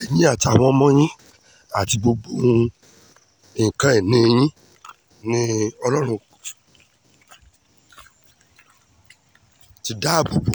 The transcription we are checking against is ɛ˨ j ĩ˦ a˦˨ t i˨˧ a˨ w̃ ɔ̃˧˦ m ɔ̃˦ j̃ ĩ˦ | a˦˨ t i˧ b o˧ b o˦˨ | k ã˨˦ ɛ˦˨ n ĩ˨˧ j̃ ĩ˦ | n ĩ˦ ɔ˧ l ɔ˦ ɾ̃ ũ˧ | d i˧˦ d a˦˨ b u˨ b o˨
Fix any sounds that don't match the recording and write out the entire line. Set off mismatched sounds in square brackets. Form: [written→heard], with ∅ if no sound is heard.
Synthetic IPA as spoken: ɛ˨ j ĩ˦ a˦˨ t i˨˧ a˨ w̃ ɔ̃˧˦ m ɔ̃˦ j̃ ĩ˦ | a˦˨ t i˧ b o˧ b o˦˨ | k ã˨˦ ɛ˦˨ n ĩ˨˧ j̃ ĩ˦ | n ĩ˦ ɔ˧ l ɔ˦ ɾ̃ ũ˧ | [d→t] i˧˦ d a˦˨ b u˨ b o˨